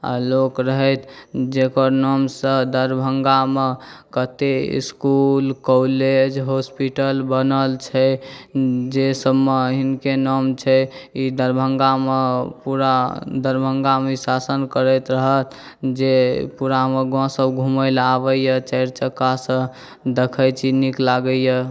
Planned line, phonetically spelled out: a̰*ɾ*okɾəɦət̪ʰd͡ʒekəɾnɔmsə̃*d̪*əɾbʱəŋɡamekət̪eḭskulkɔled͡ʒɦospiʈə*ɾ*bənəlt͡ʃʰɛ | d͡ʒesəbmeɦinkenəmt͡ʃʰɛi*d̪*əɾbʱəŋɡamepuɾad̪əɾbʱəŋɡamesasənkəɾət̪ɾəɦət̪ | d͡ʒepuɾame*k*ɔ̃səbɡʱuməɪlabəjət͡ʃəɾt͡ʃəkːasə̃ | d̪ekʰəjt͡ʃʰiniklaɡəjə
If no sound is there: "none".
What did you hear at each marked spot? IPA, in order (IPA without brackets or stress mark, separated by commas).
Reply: l, d̪, l, d̪, ɡ